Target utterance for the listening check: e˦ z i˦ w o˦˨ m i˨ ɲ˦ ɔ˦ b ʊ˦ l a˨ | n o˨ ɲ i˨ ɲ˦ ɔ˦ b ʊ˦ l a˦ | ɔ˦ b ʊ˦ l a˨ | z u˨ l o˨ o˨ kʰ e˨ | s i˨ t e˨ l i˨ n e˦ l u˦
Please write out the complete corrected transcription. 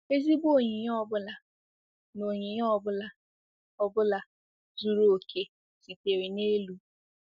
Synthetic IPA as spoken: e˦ z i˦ b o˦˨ ɲ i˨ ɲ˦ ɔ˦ b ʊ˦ l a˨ | n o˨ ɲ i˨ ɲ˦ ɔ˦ b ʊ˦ l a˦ | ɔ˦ b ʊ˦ l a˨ | z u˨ ɾ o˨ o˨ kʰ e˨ | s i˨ t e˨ ɾ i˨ n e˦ l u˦

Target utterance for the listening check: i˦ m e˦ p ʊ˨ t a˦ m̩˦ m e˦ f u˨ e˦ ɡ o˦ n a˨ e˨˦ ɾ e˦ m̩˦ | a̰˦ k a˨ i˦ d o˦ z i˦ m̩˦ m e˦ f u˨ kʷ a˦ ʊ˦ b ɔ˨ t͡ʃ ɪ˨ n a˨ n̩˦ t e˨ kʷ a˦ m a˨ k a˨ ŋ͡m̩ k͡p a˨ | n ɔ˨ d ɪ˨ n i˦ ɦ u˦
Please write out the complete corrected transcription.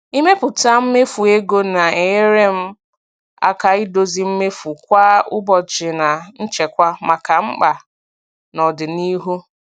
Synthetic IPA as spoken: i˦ m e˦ p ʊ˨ t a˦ m̩˦ m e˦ f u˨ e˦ ɡ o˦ n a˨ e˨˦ ɾ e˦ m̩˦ | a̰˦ k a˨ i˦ d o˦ z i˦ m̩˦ m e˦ f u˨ kʷ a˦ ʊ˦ b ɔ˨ t͡ʃ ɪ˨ n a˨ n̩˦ t͡ʃ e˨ kʷ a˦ m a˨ k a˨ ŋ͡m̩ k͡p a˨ | n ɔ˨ d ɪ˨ n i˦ ɦ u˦

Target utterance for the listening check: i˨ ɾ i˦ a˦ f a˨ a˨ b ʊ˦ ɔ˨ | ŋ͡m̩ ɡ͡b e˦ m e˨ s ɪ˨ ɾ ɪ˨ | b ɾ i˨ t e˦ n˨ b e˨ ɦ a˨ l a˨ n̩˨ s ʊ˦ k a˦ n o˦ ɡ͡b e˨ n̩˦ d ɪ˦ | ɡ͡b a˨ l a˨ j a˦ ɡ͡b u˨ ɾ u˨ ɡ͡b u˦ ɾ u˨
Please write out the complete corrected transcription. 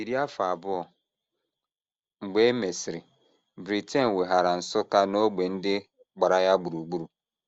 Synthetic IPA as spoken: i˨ ɾ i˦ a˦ f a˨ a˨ b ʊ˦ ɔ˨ | ŋ͡m̩ ɡ͡b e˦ m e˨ s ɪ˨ ɾ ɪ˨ | b ɾ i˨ t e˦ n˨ w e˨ ɦ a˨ ɾ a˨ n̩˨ s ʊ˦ k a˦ n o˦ ɡ͡b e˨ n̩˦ d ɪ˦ | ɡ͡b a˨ ɾ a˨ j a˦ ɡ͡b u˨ ɾ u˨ ɡ͡b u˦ ɾ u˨

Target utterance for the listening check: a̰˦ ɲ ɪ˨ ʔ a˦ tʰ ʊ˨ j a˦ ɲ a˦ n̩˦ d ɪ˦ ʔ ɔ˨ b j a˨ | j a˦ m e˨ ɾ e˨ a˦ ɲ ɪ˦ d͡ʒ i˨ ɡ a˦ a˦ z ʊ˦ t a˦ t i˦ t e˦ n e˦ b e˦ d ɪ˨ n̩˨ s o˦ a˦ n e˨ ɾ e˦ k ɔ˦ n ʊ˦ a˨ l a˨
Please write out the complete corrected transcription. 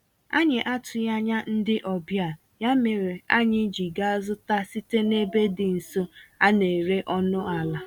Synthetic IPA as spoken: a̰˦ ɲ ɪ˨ ʔ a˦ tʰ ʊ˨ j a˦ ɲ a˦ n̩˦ d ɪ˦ ʔ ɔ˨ b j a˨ | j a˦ m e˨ ɾ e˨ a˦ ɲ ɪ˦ d͡ʒ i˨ ɡ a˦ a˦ z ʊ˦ t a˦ s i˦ t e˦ n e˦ b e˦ d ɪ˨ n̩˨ s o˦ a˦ n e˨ ɾ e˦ ʔ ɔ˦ n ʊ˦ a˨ l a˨

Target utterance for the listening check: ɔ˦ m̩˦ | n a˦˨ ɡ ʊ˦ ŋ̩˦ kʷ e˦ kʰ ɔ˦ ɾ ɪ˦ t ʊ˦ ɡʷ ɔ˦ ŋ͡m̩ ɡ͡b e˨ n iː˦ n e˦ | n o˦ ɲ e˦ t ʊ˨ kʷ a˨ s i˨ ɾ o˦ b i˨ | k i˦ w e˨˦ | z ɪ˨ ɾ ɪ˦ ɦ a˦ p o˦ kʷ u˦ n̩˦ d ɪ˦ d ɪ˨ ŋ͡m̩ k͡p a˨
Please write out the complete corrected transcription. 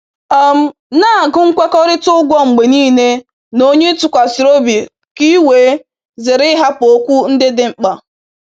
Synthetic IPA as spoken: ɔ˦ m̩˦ | n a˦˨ ɡ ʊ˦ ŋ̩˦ kʷ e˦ k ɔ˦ ɾ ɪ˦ t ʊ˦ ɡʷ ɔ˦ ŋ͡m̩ ɡ͡b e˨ n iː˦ n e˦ | n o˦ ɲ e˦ t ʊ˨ kʷ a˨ s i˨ ɾ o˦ b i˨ | k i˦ w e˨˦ | z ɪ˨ ɾ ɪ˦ ɦ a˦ p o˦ kʷ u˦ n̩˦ d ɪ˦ d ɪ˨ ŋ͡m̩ k͡p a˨

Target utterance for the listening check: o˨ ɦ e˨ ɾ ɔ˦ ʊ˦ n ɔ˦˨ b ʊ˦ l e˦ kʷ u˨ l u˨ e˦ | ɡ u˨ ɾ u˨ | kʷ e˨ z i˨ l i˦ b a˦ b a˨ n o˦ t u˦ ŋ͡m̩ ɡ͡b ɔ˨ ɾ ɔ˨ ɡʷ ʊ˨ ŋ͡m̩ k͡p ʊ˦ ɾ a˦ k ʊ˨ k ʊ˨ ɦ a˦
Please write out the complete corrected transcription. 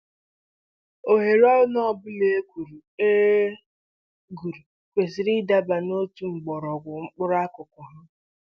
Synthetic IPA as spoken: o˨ ɦ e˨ ɾ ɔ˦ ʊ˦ n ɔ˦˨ b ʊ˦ l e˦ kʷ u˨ ɾ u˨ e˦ | ɡ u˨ ɾ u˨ | kʷ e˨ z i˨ ɾ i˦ d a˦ b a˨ n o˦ t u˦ ŋ͡m̩ ɡ͡b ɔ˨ ɾ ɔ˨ ɡʷ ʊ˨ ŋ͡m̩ k͡p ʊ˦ ɾ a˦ k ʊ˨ k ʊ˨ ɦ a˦

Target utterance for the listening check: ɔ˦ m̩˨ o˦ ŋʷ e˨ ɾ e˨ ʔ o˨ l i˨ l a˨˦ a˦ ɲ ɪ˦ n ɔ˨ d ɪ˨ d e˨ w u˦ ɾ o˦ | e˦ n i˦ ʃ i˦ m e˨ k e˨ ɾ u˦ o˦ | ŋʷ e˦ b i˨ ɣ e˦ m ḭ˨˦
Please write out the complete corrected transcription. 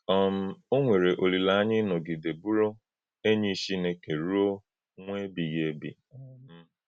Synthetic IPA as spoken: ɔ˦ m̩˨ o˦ ŋʷ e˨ ɾ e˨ ʔ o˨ l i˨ l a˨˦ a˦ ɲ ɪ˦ n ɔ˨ ɡ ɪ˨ d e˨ b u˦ ɾ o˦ | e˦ ɲ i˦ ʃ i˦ n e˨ k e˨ ɾ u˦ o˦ | ŋʷ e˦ b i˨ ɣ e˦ b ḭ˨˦

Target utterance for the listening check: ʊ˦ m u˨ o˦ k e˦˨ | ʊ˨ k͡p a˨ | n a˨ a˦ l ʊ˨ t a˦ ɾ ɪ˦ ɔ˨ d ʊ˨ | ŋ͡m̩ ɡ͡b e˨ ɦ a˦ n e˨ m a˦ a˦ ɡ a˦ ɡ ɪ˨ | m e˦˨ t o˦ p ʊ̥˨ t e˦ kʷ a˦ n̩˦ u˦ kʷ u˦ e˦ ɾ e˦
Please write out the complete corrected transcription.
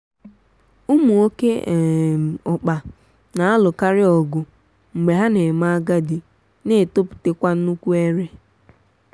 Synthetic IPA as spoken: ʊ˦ m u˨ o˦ k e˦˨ | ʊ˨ k͡p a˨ | n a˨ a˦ l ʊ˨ k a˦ ɾ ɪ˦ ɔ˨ ɡ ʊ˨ | ŋ͡m̩ ɡ͡b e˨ ɦ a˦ n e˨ m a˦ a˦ ɡ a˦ d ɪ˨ | n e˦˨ t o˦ p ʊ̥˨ t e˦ kʷ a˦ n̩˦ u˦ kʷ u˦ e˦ ɾ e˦

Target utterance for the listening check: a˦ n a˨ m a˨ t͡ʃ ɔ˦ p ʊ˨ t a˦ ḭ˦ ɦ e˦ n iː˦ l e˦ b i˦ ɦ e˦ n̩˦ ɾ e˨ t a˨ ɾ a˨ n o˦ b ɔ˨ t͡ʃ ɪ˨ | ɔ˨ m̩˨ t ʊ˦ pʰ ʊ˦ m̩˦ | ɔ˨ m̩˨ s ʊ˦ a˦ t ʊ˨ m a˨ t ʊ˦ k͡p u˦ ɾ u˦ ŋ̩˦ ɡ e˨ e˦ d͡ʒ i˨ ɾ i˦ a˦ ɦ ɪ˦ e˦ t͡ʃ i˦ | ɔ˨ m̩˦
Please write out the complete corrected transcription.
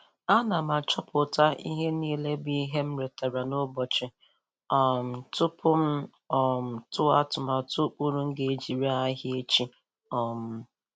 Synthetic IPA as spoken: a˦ n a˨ m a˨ t͡ʃ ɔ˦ p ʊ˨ t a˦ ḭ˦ ɦ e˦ n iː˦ l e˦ b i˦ ɦ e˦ m̩˦ ɾ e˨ t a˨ ɾ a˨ n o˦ b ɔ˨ t͡ʃ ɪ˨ | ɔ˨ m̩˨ t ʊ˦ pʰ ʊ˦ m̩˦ | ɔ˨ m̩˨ t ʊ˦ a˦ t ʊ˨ m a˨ t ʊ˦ k͡p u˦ ɾ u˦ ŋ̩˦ ɡ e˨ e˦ d͡ʒ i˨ ɾ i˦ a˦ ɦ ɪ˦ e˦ t͡ʃ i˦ | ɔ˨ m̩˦

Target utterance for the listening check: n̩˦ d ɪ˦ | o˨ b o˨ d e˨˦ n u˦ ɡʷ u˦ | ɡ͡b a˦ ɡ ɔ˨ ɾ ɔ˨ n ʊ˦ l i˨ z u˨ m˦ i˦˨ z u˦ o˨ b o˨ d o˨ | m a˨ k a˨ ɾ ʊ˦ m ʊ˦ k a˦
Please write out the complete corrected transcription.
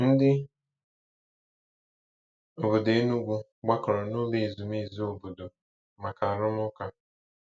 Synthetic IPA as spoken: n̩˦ d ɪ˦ | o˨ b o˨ d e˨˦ n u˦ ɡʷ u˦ | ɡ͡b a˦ k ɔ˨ ɾ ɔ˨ n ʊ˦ l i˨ z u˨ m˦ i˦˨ z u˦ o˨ b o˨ d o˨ | m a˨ k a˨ ɾ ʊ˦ m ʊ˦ k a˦

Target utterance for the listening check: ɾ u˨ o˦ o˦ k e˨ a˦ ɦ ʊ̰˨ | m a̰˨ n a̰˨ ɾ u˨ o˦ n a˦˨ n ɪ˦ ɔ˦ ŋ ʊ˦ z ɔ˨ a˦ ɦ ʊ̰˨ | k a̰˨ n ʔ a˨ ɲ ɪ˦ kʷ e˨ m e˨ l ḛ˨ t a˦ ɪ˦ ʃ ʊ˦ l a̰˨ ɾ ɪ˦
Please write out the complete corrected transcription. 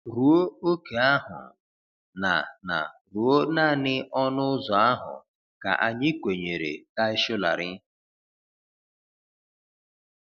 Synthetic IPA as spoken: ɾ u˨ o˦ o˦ k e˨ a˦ ɦ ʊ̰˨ | n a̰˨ n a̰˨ ɾ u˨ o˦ n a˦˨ n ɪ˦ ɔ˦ n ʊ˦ z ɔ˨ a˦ ɦ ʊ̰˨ | k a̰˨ ʔ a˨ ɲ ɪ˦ kʷ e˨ ɲ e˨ ɾ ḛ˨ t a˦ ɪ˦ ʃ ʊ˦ l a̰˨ ɾ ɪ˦

